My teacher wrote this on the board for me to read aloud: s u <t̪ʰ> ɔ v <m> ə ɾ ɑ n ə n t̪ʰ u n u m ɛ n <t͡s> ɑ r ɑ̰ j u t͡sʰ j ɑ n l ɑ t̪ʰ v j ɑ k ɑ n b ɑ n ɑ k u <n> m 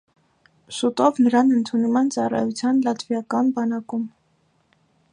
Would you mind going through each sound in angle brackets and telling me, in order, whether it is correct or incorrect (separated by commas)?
incorrect, incorrect, correct, incorrect